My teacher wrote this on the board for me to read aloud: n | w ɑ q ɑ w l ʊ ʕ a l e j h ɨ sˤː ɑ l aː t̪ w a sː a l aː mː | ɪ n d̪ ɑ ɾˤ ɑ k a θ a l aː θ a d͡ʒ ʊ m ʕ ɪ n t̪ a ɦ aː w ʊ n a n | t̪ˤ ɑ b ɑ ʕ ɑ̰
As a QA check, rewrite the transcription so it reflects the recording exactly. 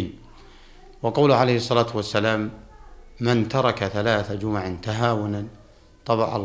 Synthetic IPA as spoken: n | w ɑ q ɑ w l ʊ ʕ a l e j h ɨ sˤː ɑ l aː t̪ w a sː a l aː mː | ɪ n t̪ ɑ ɾˤ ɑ k a θ a l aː θ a d͡ʒ ʊ m ʕ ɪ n t̪ a ɦ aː w ʊ n a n | t̪ˤ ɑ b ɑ ʕ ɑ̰